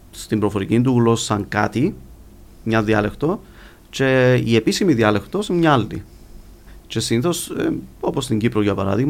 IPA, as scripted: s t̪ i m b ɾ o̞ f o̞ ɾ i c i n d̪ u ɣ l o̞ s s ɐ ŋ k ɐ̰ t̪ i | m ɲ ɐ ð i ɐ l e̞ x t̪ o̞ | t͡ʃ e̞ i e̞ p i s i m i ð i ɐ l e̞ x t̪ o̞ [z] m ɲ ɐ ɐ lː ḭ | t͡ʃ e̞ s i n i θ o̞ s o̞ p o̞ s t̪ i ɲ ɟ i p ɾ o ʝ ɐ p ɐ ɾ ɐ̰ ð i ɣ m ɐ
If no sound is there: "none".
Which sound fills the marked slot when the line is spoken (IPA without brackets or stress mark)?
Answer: s